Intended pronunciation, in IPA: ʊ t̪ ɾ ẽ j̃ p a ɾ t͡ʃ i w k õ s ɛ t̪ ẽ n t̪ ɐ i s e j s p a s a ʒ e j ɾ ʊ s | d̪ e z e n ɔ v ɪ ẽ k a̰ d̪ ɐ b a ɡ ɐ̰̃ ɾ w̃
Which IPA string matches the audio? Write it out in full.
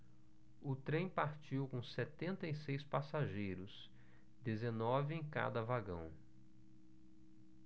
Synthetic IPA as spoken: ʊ t̪ ɾ ẽ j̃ p a ɾ t͡ʃ i w k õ s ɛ t̪ ẽ n t̪ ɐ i s e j s p a s a ʒ e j ɾ ʊ s | d̪ e z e n ɔ v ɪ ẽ k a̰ d̪ ɐ v a ɡ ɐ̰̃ w̃